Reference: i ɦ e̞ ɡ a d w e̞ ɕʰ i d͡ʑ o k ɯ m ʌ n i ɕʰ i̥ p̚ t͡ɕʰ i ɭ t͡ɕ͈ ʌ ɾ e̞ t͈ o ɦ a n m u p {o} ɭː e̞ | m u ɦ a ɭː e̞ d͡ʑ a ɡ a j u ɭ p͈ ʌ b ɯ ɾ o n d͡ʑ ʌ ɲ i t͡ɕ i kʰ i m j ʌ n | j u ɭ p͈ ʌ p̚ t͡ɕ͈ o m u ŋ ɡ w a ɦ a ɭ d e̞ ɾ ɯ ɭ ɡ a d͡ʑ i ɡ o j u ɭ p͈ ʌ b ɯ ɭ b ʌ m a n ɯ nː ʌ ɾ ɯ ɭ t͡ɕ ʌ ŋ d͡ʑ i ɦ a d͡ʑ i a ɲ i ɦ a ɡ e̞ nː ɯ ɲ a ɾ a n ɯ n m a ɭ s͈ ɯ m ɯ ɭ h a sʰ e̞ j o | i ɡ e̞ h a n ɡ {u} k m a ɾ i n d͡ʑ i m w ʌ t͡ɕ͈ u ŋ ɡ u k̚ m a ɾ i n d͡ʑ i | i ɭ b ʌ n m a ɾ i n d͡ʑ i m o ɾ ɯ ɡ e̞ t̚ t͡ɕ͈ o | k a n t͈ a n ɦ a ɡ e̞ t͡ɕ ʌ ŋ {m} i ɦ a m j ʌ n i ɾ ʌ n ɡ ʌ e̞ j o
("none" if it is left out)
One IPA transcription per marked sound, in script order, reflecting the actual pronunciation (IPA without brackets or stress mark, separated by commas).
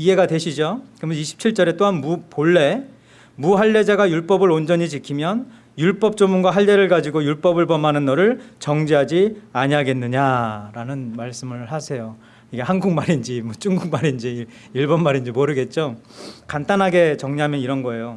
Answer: o, u, ɲ